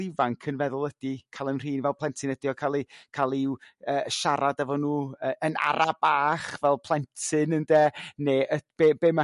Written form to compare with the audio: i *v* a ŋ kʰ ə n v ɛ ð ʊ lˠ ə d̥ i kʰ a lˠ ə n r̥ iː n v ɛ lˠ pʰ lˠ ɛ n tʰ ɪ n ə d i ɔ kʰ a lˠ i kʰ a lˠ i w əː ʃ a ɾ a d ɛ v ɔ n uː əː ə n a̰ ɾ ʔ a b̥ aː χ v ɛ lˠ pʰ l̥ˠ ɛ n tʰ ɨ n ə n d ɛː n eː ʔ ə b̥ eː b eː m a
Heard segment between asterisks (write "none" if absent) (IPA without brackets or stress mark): v